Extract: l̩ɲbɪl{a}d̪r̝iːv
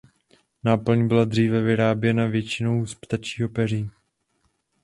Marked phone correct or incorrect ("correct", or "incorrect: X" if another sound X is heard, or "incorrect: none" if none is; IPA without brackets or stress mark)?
correct